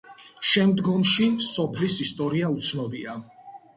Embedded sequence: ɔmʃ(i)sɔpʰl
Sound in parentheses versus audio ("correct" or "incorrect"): correct